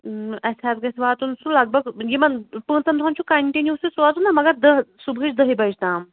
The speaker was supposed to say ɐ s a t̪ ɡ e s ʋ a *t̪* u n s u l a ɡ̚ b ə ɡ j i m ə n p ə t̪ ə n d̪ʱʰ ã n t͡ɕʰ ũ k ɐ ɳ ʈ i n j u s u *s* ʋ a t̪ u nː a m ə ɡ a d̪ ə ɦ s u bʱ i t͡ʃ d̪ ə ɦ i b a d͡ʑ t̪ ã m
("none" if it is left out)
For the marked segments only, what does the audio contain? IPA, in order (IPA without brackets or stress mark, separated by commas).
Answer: t̪, s